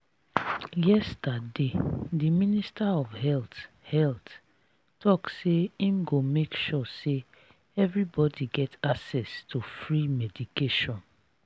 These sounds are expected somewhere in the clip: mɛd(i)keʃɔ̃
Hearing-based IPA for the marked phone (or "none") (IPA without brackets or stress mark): i